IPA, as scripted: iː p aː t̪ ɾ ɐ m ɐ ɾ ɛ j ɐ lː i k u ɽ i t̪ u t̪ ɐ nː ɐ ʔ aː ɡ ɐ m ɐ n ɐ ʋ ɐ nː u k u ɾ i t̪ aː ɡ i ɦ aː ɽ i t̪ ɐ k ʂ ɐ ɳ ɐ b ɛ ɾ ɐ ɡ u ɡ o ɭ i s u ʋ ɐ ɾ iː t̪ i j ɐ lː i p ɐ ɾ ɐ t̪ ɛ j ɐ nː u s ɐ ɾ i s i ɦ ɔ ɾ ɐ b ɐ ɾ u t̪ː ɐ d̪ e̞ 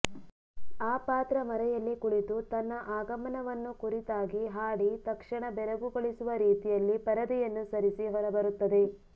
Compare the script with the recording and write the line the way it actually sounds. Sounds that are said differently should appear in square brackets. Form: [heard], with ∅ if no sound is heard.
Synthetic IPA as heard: [aː] p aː t̪ ɾ ɐ m ɐ ɾ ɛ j ɐ lː i k u ɽ i t̪ u t̪ ɐ nː ɐ ʔ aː ɡ ɐ m ɐ n ɐ ʋ ɐ nː u k u ɾ i t̪ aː ɡ i ɦ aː ɽ i t̪ ɐ k ʂ ɐ ɳ ɐ b ɛ ɾ ɐ ɡ u ɡ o ɭ i s u ʋ ɐ ɾ iː t̪ i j ɐ lː i p ɐ ɾ ɐ [d̪] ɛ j ɐ nː u s ɐ ɾ i s i ɦ ɔ ɾ ɐ b ɐ ɾ u t̪ː ɐ d̪ e̞